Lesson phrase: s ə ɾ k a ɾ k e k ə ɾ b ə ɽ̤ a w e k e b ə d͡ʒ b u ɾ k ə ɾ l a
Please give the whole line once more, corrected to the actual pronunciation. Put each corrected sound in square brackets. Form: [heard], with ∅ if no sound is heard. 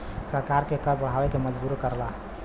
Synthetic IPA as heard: s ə ɾ k a ɾ k e k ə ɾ b ə ɽ̤ a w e k e [m] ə d͡ʒ b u ɾ k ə ɾ l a